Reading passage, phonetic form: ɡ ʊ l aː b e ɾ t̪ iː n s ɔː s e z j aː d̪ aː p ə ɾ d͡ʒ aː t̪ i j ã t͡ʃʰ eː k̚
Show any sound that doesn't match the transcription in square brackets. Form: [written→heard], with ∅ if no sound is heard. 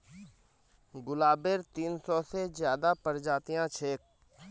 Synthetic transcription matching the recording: ɡ ʊ l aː b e ɾ t̪ iː n s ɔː s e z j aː d̪ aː p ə ɾ d͡ʒ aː t̪ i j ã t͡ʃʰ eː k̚

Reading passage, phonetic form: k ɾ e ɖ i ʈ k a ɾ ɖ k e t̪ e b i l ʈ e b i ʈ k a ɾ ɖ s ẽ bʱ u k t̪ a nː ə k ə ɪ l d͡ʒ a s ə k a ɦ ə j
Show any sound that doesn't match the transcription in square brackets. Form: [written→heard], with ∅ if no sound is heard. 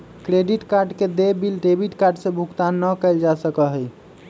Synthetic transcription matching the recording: k ɾ e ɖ i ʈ k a ɾ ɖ k e [t̪→d̪] e b i l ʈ e b i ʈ k a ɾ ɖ s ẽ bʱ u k t̪ a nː ə k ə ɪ l d͡ʒ a s ə k [a→ə] ɦ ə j

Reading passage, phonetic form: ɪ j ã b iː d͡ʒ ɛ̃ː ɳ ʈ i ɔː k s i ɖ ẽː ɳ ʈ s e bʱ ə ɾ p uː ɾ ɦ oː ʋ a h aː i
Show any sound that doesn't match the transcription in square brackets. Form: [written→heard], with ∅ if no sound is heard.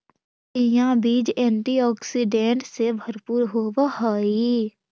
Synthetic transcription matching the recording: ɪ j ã b iː d͡ʒ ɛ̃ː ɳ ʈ i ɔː k s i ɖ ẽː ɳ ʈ s e bʱ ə ɾ p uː ɾ ɦ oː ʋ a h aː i

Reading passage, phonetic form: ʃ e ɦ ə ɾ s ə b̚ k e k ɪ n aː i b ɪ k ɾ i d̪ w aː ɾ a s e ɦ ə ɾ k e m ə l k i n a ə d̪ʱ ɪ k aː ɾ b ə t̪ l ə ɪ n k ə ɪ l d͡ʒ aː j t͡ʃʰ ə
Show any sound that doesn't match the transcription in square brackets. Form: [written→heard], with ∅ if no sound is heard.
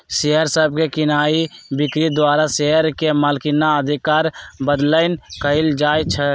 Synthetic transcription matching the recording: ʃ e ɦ ə ɾ s ə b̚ k e k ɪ n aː i b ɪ k ɾ i d̪ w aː ɾ a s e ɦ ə ɾ k e m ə l k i n a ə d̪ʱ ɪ k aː ɾ b ə [t̪→d̪] l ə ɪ n k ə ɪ l d͡ʒ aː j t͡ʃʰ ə

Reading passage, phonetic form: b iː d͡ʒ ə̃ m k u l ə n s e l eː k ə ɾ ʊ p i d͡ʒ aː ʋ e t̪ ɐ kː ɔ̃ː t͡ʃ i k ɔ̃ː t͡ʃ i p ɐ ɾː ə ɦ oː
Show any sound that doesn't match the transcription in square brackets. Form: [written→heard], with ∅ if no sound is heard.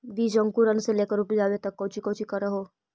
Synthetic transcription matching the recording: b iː d͡ʒ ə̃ [m→ŋ] k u [l→ɾ] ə n s e l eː k ə ɾ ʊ p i d͡ʒ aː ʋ e t̪ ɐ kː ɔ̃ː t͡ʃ i k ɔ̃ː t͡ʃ i [p→k] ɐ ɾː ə ɦ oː

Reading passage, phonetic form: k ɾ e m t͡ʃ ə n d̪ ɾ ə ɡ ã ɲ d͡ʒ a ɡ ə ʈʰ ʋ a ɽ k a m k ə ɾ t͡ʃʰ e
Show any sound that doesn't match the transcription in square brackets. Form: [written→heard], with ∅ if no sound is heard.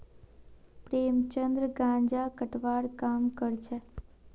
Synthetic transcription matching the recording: [k→p] ɾ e m t͡ʃ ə n d̪ ɾ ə ɡ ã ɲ d͡ʒ a [ɡ→k] ə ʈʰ ʋ a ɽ k a m k ə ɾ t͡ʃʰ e

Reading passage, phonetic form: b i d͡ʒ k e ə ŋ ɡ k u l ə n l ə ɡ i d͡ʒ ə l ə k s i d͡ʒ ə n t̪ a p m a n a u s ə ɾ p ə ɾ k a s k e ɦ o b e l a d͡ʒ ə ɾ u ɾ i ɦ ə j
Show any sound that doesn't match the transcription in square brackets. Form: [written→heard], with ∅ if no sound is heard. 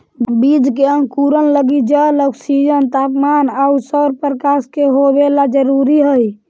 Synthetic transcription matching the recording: b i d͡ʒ k e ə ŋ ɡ k u [l→ɾ] ə n l ə ɡ i d͡ʒ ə l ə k s i d͡ʒ ə n t̪ a p m a n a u s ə ɾ p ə ɾ k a s k e ɦ o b e l a d͡ʒ ə ɾ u ɾ i ɦ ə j

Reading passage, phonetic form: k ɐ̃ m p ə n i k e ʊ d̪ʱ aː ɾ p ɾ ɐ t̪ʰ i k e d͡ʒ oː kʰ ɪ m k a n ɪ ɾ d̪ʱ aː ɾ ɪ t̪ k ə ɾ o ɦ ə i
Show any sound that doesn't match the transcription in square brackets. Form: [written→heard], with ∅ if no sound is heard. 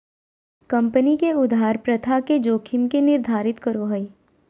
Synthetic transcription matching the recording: k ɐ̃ m p ə n i k e ʊ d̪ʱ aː ɾ p ɾ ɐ t̪ʰ [i→a] k e d͡ʒ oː kʰ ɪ m k [a→e] n ɪ ɾ d̪ʱ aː ɾ ɪ t̪ k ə ɾ o ɦ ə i

